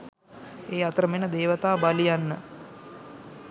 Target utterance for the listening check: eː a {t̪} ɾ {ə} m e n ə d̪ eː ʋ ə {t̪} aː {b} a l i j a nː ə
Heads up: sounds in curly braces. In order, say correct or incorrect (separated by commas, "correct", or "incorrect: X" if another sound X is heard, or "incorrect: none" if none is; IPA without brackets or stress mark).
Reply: correct, correct, correct, correct